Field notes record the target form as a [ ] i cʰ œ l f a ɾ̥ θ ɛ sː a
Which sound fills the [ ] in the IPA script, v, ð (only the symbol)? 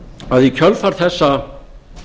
ð